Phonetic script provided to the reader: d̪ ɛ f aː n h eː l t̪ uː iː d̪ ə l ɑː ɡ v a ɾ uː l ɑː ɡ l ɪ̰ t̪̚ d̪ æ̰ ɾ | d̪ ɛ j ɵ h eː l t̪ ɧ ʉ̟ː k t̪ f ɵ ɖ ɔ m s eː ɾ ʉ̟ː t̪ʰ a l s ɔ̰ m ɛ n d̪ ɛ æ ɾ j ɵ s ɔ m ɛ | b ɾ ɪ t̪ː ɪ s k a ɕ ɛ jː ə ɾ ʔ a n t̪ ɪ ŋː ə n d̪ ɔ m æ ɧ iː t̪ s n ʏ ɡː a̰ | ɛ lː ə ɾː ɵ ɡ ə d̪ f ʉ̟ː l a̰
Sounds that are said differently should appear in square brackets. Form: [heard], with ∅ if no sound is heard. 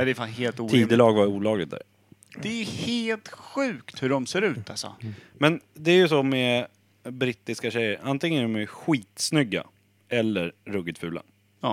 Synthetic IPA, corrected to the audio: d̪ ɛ f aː n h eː l t̪ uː iː d̪ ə l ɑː ɡ v a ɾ uː l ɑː ɡ l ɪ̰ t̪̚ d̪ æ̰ ɾ | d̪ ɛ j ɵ h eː l t̪ ɧ ʉ̟ː k t̪ [h] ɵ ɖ ɔ m s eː ɾ ʉ̟ː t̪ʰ a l s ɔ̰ m ɛ n d̪ ɛ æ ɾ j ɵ s ɔ m ɛ | b ɾ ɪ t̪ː ɪ s k a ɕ ɛ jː ə ɾ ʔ a n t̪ ɪ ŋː ə n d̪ ɔ m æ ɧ iː t̪ s n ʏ ɡː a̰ | ɛ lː ə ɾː ɵ ɡ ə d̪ f ʉ̟ː l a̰